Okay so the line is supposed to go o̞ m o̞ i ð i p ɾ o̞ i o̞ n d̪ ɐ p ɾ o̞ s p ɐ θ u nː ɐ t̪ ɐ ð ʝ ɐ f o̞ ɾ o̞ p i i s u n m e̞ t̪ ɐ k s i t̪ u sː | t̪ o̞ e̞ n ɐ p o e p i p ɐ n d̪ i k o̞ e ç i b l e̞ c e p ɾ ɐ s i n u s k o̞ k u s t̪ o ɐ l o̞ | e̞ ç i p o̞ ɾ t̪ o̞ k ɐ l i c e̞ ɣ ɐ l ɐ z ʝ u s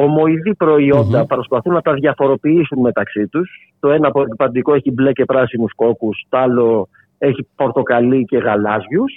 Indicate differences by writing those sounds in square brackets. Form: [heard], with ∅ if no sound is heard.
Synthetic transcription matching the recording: o̞ m o̞ i ð i p ɾ o̞ i o̞ n d̪ ɐ p ɾ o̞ s p ɐ θ u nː ɐ t̪ ɐ ð ʝ ɐ f o̞ ɾ o̞ p i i s u n m e̞ t̪ ɐ k s i t̪ u [s] | t̪ o̞ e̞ n ɐ p o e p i p ɐ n d̪ i k o̞ e ç i b l e̞ c e p ɾ ɐ s i n u s k o̞ k u s t̪ o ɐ l o̞ | e̞ ç i p o̞ ɾ t̪ o̞ k ɐ l i c e̞ ɣ ɐ l ɐ z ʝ u s